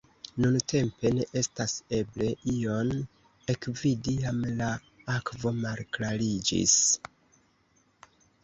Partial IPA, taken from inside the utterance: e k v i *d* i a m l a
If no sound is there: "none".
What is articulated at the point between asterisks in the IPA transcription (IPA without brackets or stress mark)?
d